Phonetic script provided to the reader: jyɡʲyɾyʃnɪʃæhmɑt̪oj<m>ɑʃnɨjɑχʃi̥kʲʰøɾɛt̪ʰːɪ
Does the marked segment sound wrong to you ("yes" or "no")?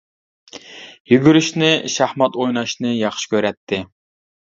yes